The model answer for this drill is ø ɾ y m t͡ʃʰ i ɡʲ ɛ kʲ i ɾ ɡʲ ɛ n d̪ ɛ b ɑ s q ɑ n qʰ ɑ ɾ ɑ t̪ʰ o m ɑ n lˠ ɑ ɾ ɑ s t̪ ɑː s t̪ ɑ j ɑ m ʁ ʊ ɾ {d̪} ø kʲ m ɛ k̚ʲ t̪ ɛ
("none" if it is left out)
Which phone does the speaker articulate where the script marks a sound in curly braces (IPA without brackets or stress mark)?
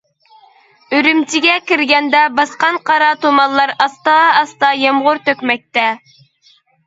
t̪